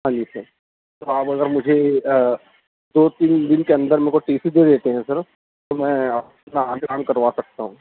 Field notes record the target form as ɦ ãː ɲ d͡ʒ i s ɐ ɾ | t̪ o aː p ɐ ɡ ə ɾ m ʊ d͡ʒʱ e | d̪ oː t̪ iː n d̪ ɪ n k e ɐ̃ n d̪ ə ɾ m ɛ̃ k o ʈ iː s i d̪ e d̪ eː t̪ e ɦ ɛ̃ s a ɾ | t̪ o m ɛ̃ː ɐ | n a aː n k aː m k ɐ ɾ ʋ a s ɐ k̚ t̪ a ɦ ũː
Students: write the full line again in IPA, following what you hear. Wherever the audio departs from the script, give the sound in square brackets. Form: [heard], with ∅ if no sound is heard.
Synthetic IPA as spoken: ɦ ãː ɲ d͡ʒ i s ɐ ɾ | t̪ o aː p ɐ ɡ ə ɾ m ʊ d͡ʒʱ e | d̪ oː t̪ iː n d̪ ɪ n k e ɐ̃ n d̪ ə ɾ m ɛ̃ k o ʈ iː s i d̪ e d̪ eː t̪ e ɦ ɛ̃ s [ɐ] ɾ | t̪ o m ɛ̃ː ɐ | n a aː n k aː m k ɐ ɾ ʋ a s ɐ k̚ t̪ a ɦ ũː